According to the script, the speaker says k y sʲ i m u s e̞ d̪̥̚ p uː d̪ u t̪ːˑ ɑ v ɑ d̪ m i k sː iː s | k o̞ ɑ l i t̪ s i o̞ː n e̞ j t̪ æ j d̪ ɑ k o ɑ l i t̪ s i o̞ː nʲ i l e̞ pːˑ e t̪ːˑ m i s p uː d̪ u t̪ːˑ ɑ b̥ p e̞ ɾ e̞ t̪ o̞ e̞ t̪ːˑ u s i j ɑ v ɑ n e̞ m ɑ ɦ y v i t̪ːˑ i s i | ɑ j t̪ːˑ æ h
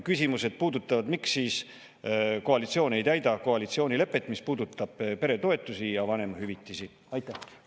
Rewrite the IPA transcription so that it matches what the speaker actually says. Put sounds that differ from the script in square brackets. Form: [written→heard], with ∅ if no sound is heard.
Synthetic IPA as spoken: k y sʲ i m u s e̞ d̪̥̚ p uː d̪ u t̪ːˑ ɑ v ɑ d̪ m i k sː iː s | k o̞ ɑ l i t̪ s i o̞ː n e̞ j t̪ æ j d̪ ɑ k o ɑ l i t̪ s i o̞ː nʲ i l e̞ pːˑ e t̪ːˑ m i s p uː d̪ u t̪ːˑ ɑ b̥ p e̞ ɾ e̞ t̪ o̞ e̞ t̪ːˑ u s i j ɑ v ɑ n e̞ m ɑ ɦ y v i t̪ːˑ i s i | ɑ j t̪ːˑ æ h